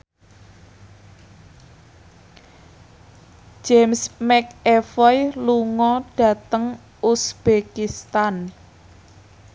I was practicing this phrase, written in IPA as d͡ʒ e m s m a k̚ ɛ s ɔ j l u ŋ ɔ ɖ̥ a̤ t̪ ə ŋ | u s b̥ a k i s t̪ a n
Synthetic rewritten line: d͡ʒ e m s m ɛ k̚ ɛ f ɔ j l u ŋ ɔ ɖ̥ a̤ t̪ ə ŋ | u s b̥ e k i s t̪ a n